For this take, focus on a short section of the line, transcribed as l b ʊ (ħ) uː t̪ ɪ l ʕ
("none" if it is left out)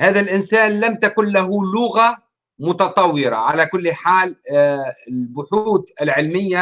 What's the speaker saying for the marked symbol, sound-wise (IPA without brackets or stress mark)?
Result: ħ